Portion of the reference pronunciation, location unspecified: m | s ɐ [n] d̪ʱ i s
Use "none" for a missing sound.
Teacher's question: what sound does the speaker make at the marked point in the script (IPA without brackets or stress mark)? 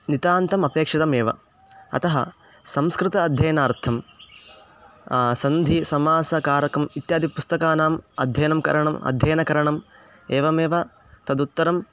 n